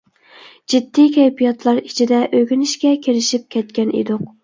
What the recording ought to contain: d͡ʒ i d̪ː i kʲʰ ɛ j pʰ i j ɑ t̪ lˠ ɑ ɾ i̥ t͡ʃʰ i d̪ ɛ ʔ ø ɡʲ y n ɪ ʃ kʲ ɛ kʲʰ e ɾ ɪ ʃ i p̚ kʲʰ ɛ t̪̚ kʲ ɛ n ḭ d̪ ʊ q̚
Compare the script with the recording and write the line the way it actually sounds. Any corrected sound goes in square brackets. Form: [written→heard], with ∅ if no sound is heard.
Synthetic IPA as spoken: d͡ʒ i d̪ː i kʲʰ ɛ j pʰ i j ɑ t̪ lˠ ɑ ɾ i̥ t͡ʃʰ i d̪ ɛ ʔ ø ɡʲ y n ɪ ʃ kʲ ɛ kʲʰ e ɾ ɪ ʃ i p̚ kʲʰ ɛ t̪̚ kʲ ɛ n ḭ d̪ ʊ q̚